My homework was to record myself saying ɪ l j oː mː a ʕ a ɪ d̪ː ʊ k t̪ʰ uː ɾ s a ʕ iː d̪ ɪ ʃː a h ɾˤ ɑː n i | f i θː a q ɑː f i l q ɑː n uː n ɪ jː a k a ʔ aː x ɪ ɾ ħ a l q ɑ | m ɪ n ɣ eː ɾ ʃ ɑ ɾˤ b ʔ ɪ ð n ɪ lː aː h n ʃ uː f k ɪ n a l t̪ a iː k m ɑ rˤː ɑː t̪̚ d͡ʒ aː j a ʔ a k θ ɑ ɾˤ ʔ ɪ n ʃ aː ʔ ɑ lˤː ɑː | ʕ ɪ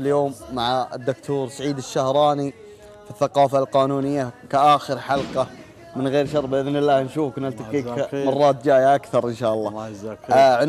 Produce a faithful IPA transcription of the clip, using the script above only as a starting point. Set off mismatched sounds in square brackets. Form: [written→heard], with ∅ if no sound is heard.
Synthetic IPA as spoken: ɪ l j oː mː a ʕ a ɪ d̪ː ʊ k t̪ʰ uː ɾ s a ʕ iː d̪ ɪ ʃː a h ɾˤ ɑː n i | f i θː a q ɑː f [i→a] l q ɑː n uː n ɪ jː a k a ʔ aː x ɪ ɾ ħ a l q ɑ | m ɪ n ɣ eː ɾ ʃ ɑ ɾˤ b ʔ ɪ ð n ɪ lː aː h n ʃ uː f k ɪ n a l t̪ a iː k m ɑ rˤː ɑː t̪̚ d͡ʒ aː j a ʔ a k θ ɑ ɾˤ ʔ ɪ n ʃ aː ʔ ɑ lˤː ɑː | ʕ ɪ